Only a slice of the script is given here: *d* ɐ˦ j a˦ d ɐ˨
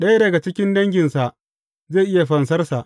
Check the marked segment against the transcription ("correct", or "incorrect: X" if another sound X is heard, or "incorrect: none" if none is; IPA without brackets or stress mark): incorrect: ɗ